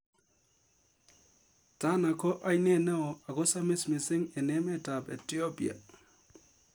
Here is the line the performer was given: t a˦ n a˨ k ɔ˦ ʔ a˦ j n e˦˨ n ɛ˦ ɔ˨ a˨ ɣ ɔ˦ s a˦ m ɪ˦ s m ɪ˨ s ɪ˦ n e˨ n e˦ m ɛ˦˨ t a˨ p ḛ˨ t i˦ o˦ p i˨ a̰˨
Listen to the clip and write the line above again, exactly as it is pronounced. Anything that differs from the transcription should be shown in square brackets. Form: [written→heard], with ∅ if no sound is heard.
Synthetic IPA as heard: t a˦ n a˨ k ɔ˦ ʔ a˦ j n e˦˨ n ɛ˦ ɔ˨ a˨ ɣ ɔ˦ s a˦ m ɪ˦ s m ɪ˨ s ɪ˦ [n→ŋ] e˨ n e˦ m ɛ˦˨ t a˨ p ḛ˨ t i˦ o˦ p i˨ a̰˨